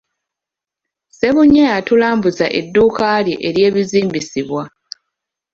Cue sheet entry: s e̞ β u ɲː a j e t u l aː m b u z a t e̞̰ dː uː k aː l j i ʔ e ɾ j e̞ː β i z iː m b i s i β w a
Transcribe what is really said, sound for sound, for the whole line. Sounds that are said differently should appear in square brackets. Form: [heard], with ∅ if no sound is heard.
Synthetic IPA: s e̞ β u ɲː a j [a] t u l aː m b u z a [ʔ] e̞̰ dː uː k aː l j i ʔ e ɾ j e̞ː β i z iː m b i s i β w a